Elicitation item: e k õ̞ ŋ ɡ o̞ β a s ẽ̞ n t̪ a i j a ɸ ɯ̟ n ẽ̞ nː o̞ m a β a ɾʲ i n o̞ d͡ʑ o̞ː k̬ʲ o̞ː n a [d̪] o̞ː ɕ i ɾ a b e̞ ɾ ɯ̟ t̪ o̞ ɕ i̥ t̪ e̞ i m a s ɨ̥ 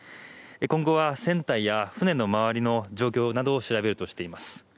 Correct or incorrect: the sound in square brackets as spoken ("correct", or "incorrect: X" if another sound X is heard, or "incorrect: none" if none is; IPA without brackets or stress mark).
correct